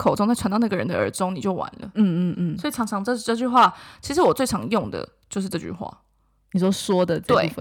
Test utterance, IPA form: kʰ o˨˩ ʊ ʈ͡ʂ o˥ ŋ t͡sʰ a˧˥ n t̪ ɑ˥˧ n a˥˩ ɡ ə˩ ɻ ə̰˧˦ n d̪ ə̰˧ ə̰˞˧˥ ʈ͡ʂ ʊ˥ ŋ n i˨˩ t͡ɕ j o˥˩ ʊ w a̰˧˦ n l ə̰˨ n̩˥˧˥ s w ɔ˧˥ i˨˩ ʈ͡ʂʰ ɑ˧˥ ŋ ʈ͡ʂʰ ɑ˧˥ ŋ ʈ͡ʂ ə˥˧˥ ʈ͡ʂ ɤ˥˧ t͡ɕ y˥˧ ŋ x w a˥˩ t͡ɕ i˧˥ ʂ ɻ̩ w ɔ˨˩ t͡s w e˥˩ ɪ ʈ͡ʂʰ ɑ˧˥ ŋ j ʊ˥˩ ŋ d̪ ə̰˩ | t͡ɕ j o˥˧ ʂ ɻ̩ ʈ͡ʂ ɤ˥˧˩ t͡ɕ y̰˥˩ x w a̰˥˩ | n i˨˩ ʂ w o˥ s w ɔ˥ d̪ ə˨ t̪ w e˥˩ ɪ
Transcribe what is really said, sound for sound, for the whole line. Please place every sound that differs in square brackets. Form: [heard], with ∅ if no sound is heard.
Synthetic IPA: kʰ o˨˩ ʊ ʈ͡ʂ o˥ ŋ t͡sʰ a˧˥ n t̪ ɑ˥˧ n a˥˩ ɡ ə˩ ɻ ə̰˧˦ n d̪ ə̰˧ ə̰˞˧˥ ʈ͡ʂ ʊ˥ ŋ n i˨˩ t͡ɕ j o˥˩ ʊ w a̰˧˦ n l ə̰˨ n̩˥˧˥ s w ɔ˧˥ i˨˩ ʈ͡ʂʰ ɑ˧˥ ŋ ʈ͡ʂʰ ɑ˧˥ ŋ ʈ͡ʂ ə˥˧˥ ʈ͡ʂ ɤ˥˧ t͡ɕ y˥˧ [∅] x w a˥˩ [t͡ɕʰ] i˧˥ ʂ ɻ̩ w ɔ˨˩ t͡s w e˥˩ ɪ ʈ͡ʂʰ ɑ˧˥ ŋ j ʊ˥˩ ŋ d̪ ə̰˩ | t͡ɕ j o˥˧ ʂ ɻ̩ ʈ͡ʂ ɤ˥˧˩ t͡ɕ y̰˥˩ x w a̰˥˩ | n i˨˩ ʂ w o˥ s w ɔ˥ d̪ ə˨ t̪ w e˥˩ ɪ